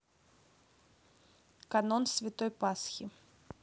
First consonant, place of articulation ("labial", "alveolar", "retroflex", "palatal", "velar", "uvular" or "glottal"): velar